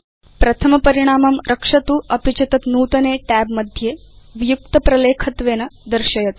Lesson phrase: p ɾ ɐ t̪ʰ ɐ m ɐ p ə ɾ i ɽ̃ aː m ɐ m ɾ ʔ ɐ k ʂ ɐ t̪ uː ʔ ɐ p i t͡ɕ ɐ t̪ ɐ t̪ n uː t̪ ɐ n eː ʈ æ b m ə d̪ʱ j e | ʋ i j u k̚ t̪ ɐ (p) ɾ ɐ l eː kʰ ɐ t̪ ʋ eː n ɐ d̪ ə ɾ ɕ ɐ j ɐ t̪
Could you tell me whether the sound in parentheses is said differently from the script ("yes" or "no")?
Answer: no